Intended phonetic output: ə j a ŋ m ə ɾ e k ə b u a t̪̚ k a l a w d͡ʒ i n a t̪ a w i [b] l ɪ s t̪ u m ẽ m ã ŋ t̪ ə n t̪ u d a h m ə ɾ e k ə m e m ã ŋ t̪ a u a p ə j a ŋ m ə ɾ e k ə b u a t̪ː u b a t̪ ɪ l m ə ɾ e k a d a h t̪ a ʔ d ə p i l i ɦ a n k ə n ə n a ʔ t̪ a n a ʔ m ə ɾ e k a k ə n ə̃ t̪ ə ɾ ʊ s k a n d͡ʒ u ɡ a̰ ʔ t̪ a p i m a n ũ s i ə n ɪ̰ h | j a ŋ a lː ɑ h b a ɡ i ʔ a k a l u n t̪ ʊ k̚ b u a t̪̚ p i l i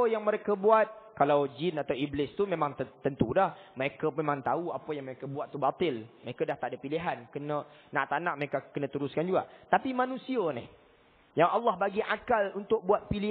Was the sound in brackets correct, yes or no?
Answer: yes